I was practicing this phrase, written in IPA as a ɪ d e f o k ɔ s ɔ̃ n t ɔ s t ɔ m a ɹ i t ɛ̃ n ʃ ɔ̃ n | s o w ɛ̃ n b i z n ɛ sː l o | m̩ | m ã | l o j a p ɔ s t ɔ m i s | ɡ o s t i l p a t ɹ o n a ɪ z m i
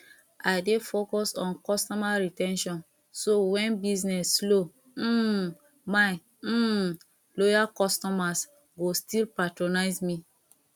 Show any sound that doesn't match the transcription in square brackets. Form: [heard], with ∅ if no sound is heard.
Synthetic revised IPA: a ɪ d e f o k ɔ s ɔ̃ n [k] ɔ s t ɔ m a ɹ i t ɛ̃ n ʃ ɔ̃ n | s o w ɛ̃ n b i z n ɛ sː l o | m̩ | m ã | l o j a [k] ɔ s t ɔ m [a] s | ɡ o s t i l p a t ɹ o n a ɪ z m i